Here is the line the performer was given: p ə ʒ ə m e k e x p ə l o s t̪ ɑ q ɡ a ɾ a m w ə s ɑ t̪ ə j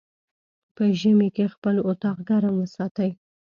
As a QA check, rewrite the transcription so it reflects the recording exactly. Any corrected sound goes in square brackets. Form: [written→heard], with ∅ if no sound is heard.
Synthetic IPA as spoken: p ə ʒ ə m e k e x p ə l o [s→∅] t̪ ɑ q ɡ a ɾ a m w ə s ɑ t̪ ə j